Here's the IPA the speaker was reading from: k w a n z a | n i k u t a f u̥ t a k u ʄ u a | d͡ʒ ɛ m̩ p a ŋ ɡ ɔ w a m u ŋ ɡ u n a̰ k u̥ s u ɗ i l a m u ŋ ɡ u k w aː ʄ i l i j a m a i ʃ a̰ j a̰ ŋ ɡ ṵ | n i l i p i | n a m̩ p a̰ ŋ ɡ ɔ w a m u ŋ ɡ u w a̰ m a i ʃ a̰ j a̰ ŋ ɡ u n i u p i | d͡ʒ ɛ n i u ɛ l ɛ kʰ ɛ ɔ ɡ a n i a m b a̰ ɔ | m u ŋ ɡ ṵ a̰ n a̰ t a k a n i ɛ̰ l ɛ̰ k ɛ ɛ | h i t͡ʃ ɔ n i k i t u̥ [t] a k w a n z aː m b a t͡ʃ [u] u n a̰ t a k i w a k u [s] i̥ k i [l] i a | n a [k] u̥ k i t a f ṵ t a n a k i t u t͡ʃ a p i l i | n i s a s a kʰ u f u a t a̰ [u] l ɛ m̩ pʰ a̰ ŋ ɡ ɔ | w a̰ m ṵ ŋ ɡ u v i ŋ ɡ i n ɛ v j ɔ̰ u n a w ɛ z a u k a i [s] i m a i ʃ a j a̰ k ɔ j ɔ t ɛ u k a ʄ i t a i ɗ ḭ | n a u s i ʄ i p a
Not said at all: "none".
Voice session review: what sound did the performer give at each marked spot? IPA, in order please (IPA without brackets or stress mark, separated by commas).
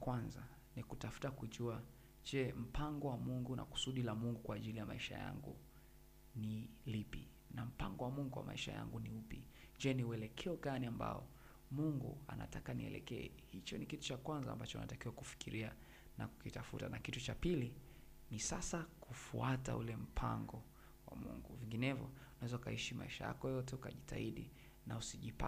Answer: t͡ʃ, ɔ, f, ɾ, k, u, ʃ